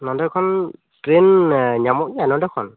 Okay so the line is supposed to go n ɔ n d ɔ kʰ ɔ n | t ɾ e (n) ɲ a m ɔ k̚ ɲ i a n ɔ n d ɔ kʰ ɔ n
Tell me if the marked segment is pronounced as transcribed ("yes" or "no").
yes